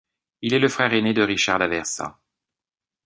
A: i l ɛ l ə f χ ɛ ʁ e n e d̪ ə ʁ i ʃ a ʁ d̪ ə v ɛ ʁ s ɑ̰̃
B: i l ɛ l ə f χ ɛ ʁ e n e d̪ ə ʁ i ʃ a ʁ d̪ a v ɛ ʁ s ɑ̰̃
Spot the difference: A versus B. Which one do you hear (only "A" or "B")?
B